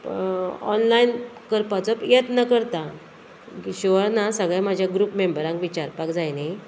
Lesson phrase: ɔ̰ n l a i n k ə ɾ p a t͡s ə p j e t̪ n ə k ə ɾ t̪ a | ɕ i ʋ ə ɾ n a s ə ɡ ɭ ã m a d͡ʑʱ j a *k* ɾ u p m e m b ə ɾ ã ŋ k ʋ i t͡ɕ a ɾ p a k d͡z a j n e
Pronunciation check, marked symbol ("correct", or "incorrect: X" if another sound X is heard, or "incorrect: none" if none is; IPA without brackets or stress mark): incorrect: ɡ